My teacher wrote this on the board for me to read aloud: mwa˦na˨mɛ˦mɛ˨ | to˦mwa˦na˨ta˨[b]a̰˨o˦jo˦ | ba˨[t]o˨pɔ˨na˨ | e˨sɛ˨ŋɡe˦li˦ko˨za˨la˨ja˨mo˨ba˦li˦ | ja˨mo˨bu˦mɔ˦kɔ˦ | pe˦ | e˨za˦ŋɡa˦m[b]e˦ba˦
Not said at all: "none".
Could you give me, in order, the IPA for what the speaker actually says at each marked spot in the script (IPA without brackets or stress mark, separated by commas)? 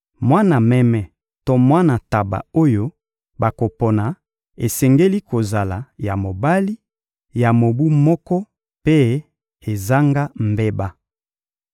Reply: b, k, b